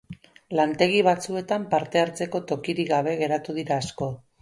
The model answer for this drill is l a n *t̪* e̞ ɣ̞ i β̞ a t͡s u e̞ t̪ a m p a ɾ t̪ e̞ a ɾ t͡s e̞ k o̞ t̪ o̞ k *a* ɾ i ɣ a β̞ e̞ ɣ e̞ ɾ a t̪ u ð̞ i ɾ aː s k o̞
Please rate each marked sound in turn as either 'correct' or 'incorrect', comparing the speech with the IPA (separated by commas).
correct, incorrect